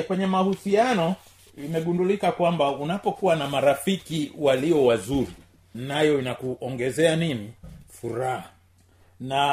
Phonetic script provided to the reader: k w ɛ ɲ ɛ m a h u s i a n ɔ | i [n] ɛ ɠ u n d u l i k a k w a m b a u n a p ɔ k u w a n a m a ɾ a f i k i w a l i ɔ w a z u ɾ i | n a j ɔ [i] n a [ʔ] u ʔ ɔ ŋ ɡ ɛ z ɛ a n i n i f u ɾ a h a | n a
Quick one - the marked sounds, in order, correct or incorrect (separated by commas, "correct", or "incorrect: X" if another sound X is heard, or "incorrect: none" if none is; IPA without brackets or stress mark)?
incorrect: m, correct, incorrect: k